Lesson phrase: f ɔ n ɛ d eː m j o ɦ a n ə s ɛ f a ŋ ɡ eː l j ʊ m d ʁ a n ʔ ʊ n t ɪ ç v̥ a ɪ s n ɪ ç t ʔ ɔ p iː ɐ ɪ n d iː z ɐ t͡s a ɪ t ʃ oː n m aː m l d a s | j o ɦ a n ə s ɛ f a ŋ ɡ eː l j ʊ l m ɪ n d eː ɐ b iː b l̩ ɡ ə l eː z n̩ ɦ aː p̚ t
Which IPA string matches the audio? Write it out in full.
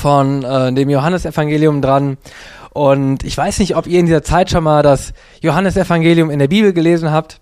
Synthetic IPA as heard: f ɔ n ɛ d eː m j o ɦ a n ə s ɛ f a ŋ ɡ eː l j ʊ m d ʁ a n ʔ ʊ n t ɪ ç v̥ a ɪ s n ɪ ç t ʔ ɔ p iː ɐ ɪ n d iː z ɐ t͡s a ɪ t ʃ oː n m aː l d a s | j o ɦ a n ə s ɛ f a ŋ ɡ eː l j ʊ m ɪ n d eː ɐ b iː b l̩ ɡ ə l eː z n̩ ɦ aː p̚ t